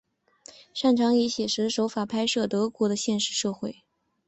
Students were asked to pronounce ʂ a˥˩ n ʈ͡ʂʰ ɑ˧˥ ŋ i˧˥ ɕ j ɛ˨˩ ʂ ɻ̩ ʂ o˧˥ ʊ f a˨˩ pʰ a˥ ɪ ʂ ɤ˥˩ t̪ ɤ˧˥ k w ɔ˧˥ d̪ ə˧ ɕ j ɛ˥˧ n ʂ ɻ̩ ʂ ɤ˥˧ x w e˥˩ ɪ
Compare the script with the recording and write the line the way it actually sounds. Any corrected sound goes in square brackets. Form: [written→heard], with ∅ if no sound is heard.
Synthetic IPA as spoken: ʂ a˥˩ n ʈ͡ʂʰ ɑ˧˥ ŋ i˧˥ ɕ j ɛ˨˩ ʂ ɻ̩ ʂ o˧˥ ʊ f a˨˩ pʰ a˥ ɪ ʂ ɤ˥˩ t̪ ɤ˧˥ k w ɔ˧˥ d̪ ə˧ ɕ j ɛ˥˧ n ʂ ɻ̩ ʂ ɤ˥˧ x w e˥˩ ɪ